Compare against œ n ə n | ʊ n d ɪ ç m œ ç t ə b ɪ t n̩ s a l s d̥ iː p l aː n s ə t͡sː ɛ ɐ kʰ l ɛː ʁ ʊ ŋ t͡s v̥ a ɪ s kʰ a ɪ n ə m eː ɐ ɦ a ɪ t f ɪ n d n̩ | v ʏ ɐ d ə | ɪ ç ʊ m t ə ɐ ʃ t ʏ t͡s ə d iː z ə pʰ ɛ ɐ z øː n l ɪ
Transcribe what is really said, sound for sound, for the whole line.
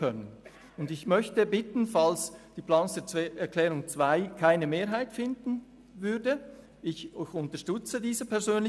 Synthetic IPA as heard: œ n ə n | ʊ n d ɪ ç m œ ç t ə b ɪ t n̩ f a l s d̥ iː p l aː n s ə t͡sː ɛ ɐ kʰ l ɛː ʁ ʊ ŋ t͡s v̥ a ɪ kʰ a ɪ n ə m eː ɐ ɦ a ɪ t f ɪ n d n̩ | v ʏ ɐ d ə | ɪ ç ʊ n t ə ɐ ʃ t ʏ t͡s ə d iː z ə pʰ ɛ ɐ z øː n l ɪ